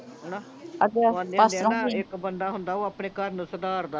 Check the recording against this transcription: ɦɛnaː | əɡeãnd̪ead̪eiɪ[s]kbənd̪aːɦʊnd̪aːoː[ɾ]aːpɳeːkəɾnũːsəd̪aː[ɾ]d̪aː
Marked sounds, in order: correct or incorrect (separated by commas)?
incorrect, incorrect, correct